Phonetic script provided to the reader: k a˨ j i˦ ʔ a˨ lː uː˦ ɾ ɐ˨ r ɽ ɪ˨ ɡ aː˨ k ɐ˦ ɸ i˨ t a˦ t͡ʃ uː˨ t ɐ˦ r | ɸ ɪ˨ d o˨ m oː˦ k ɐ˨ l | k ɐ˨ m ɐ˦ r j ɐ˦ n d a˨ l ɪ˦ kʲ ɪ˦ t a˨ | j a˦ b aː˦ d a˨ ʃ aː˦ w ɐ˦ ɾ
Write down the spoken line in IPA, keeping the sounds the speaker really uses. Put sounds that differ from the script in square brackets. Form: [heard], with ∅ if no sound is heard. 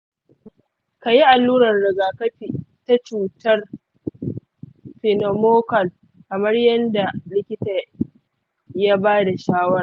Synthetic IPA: k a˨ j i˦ ʔ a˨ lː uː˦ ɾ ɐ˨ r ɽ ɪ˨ ɡ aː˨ k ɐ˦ ɸ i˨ t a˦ t͡ʃ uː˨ t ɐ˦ r | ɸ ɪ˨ [n] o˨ m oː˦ k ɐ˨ l | k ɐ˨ m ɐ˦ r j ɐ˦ n d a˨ l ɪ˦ kʲ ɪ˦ t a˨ | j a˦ b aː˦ d a˨ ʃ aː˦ w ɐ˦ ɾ